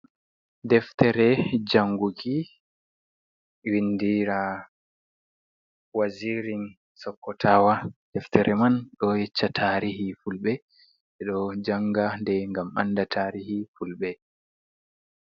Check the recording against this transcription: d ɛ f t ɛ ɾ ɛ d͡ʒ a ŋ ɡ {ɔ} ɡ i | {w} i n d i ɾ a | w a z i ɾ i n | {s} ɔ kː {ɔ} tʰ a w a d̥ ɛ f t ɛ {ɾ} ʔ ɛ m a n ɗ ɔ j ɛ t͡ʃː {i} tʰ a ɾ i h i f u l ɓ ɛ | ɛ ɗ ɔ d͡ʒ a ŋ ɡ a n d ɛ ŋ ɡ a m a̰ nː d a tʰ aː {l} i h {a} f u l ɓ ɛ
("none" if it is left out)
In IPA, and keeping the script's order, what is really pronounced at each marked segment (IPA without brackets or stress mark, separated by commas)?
u, w, s, ɔ, ɾ, a, ɾ, i